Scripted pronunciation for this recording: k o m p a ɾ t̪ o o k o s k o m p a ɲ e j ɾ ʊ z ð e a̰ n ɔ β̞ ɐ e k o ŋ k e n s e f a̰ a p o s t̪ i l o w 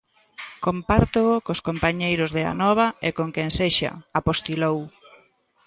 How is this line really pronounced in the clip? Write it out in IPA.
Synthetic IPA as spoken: k o m p a ɾ t̪ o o k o s k o m p a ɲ e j ɾ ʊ z ð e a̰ n ɔ β̞ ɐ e k o ŋ k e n s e ʃ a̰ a p o s t̪ i l o w